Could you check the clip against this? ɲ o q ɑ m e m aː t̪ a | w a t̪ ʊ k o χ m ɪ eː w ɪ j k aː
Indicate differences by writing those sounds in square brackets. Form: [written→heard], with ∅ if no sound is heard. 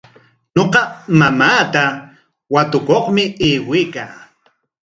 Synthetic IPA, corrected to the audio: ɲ o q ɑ m [e→a] m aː t̪ a | w a t̪ ʊ k o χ m ɪ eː w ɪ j k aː